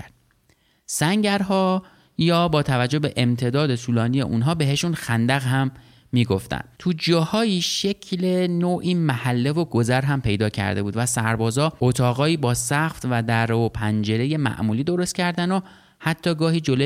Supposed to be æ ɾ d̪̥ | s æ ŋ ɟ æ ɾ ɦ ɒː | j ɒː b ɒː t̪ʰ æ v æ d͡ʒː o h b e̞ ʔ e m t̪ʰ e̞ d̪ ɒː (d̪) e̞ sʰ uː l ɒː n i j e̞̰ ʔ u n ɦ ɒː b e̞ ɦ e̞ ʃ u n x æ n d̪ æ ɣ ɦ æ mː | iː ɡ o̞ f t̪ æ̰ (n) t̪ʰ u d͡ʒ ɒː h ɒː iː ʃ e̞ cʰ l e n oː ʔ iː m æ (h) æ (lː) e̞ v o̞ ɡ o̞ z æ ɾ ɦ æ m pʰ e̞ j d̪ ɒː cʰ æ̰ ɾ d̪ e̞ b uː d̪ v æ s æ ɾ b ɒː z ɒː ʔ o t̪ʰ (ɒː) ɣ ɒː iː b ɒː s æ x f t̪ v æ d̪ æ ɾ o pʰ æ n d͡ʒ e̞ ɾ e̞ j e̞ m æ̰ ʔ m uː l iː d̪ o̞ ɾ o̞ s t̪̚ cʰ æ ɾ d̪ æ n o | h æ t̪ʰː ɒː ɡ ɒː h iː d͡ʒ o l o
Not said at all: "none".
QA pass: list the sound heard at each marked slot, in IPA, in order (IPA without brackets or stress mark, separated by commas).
d̪, n, h, lː, ɒː